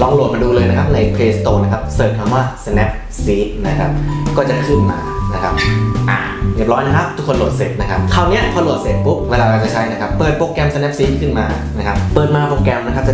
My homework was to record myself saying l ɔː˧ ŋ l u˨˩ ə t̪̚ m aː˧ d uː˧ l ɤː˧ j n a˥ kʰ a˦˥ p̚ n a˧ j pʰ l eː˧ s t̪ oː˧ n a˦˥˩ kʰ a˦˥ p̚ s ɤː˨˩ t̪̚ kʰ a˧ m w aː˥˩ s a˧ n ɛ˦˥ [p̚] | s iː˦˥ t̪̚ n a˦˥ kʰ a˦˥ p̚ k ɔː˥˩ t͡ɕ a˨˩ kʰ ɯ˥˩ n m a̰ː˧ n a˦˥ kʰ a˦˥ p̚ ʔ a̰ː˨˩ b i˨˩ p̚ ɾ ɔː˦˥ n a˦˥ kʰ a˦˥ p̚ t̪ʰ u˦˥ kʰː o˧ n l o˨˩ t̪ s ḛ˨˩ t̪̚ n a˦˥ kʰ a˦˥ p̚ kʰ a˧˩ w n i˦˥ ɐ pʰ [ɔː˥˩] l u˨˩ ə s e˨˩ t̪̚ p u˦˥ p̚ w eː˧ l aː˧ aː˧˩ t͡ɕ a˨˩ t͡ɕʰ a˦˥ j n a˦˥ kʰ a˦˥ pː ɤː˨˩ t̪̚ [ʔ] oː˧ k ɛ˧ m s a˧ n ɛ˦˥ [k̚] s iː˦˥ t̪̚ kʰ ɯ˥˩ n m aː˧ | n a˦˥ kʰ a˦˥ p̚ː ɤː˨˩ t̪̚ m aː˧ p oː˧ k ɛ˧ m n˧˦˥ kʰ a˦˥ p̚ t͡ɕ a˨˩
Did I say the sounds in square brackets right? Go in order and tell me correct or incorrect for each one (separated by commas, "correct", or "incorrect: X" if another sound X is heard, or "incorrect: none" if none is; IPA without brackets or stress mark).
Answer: correct, incorrect: ɔː˧, incorrect: p, incorrect: p̚